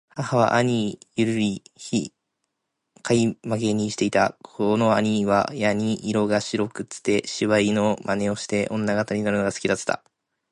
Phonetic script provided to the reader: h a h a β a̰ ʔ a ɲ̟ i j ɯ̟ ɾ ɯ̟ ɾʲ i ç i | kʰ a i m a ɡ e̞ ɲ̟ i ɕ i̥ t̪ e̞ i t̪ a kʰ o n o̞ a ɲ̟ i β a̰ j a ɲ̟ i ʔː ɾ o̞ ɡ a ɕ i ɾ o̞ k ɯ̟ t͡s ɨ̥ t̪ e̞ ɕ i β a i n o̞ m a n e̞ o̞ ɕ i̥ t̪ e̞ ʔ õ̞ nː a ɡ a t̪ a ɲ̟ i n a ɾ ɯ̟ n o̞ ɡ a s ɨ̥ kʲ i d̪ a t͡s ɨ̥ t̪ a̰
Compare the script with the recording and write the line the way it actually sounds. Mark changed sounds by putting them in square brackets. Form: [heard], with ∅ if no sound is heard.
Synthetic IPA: h a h a β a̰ ʔ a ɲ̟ i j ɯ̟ ɾ ɯ̟ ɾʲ i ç i | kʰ a i m a ɡ e̞ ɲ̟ i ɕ i̥ t̪ e̞ i t̪ a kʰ o n o̞ a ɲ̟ i β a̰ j a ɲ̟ i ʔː ɾ o̞ ɡ a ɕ i ɾ o̞ k ɯ̟ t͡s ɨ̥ t̪ e̞ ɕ i β a i n o̞ m a n e̞ o̞ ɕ i̥ t̪ e̞ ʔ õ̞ nː a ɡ a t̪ a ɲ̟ i n a ɾ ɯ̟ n o̞ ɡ a s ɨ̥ kʲ i d̪ a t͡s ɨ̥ t̪ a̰